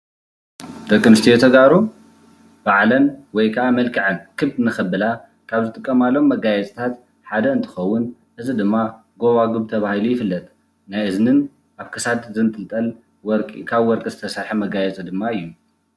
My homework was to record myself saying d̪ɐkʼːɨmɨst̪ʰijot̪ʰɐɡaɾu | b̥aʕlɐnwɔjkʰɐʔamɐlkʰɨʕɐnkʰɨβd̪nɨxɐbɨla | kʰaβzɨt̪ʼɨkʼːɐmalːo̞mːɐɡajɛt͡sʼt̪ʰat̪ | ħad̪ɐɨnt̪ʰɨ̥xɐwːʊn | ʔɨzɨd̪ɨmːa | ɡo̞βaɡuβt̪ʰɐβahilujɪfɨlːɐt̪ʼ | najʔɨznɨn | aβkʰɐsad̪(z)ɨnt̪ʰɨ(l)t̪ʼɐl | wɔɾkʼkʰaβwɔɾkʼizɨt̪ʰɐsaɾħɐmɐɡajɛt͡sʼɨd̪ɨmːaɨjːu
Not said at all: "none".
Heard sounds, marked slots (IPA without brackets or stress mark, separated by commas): z, l